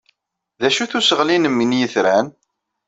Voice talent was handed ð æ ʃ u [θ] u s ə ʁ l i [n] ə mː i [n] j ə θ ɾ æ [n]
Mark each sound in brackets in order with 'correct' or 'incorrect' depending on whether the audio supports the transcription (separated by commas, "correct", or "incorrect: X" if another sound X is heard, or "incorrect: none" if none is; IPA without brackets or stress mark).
correct, correct, correct, correct